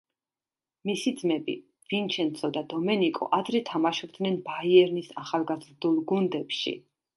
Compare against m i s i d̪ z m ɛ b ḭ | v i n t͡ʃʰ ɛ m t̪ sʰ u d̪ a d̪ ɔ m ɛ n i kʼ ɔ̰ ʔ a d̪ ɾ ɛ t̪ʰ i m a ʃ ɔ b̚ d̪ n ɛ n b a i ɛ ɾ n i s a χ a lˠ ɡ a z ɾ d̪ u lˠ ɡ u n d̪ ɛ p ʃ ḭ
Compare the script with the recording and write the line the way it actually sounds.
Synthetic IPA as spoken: m i s i d̪ z m ɛ b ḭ | v i n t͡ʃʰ ɛ n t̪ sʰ ɔ d̪ a d̪ ɔ m ɛ n i kʼ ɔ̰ ʔ a d̪ ɾ ɛ t̪ʰ a m a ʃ ɔ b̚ d̪ n ɛ n b a i ɛ ɾ n i s a χ a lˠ ɡ a z ɾ d̪ u lˠ ɡ u n d̪ ɛ p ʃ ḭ